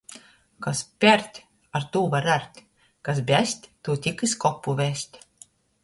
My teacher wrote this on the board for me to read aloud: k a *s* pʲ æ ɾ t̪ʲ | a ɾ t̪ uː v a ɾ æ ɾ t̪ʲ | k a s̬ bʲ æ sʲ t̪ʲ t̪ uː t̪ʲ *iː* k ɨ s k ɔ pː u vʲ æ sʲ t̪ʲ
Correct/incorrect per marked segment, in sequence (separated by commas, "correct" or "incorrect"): correct, incorrect